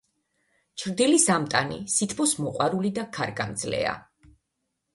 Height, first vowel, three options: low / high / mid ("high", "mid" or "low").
high